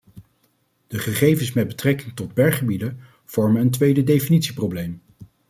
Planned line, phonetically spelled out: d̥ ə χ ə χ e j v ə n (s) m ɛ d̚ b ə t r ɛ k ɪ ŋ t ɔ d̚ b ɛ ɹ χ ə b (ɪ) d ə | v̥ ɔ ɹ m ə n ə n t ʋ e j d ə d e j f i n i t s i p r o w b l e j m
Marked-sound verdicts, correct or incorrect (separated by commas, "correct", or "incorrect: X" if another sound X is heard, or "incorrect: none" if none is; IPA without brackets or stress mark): correct, incorrect: i